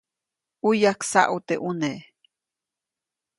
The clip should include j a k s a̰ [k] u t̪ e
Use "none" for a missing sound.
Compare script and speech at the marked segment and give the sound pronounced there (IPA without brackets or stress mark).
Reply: ʔ